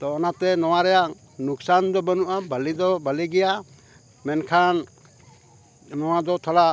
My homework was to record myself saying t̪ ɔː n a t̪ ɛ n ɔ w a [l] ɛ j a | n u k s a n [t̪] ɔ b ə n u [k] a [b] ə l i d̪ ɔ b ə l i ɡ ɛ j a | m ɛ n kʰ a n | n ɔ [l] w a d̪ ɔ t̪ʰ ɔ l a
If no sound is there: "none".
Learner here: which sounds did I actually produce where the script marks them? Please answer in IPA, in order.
ɾ, d̪, ʔ, b, none

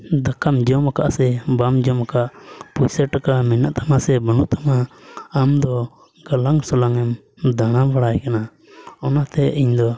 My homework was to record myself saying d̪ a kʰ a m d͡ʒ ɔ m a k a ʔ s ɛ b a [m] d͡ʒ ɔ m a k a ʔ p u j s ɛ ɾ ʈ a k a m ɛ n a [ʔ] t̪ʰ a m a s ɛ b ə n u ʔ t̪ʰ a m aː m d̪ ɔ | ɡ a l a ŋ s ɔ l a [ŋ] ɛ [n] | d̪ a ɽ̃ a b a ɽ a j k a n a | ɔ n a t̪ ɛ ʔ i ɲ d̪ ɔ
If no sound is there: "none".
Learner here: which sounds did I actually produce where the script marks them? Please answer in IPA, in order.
m, ʔ, ŋ, m

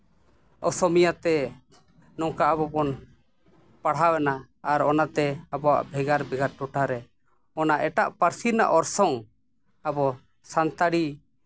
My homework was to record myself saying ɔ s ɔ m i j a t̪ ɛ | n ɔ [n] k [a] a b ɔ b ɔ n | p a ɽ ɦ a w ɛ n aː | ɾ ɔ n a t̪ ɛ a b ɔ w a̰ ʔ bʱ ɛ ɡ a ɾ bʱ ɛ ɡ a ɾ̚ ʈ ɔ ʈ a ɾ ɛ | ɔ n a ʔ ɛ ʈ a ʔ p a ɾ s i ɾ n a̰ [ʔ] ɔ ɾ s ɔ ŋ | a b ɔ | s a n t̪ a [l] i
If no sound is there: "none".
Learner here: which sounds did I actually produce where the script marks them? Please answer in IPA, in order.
ŋ, a, ʔ, ɽ

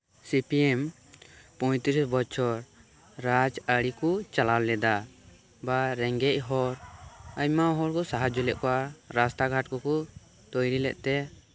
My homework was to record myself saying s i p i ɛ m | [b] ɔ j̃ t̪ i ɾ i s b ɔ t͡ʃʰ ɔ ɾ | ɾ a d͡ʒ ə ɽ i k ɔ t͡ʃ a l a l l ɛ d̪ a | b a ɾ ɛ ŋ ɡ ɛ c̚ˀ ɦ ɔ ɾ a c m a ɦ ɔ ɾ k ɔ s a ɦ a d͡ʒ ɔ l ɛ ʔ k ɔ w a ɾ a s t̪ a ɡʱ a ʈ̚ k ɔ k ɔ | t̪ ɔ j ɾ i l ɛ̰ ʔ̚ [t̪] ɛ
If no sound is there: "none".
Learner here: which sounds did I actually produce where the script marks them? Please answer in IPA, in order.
p, t̪

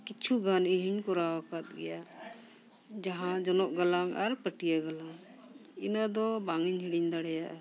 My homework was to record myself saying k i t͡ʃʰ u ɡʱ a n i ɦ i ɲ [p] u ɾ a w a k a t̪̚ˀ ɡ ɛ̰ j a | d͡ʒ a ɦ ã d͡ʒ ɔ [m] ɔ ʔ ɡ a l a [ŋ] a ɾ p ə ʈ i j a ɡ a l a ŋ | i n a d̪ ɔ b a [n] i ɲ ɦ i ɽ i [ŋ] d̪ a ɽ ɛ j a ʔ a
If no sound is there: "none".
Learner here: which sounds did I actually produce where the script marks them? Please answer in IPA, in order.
k, n, ŋ, ŋ, ɲ

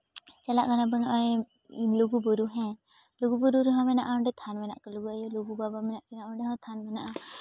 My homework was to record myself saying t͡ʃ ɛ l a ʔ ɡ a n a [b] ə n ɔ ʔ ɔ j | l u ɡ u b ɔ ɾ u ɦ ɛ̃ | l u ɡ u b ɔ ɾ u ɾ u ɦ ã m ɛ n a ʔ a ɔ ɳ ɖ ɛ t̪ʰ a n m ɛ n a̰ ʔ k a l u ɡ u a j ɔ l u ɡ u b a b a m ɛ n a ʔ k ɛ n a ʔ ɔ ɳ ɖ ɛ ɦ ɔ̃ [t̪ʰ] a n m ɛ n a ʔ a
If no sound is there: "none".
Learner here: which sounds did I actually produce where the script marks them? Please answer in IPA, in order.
b, t̪ʰ

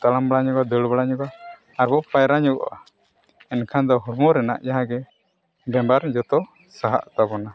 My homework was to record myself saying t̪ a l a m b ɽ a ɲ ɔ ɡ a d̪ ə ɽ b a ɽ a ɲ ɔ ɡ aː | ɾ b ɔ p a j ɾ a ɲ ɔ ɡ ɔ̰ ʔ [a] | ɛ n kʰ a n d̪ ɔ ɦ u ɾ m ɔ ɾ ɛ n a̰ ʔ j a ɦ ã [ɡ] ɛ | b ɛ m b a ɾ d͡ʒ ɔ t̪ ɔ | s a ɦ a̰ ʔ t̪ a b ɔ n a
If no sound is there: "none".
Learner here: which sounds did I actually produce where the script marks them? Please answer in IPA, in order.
a, ɡ

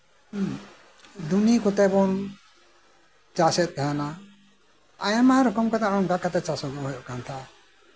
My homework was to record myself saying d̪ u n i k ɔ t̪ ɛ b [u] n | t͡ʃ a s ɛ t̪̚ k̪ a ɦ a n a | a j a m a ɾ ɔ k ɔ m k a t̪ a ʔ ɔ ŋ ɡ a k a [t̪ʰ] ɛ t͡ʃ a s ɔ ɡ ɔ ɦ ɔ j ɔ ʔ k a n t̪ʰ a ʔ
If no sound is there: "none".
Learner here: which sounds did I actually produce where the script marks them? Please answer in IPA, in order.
ɔ, t̪

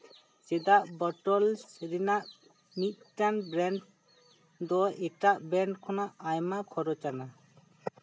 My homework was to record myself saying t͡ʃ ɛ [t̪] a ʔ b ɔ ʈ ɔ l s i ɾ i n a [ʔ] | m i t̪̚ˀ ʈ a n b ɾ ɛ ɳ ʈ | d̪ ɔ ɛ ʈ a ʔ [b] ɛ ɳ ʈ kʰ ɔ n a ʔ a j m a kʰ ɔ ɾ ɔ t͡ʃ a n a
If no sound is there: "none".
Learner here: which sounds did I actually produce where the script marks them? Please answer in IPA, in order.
d̪, ʔ, b

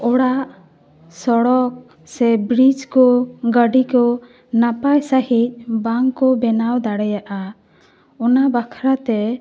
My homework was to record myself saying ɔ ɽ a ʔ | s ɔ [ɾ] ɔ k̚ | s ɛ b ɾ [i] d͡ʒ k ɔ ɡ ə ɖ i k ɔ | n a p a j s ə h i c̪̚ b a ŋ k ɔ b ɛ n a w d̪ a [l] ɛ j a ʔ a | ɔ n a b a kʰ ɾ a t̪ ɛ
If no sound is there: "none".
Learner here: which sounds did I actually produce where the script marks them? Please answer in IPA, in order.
ɽ, i, ɽ

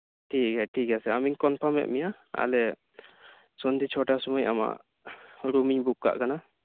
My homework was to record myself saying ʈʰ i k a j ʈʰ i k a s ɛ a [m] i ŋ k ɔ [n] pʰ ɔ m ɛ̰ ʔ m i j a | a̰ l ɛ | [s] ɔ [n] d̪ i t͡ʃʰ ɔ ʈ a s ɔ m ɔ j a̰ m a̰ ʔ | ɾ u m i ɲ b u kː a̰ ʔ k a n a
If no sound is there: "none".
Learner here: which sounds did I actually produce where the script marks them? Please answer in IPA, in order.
m, n, s, n

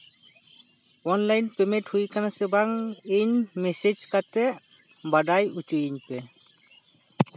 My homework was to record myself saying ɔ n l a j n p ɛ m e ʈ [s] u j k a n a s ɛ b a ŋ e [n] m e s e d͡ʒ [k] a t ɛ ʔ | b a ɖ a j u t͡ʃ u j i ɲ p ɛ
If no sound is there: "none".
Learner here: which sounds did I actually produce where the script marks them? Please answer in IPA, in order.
h, ɲ, k

